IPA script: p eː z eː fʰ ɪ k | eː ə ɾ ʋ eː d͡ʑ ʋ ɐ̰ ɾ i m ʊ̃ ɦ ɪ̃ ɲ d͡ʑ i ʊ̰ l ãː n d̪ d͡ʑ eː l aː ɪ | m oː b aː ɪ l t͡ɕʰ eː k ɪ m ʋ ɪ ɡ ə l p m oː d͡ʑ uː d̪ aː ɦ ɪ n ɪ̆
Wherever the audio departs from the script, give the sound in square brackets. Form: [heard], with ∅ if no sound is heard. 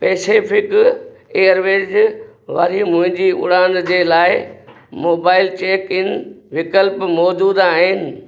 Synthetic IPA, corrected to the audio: p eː [s] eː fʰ ɪ k | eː ə ɾ ʋ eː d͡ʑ ʋ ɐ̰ ɾ i m ʊ̃ ɦ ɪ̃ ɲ d͡ʑ i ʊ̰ [ɽ] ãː n d̪ d͡ʑ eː l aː ɪ | m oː b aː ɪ l [t͡ɕ] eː k ɪ [n] ʋ ɪ [k] ə l p m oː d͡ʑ uː d̪ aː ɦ ɪ n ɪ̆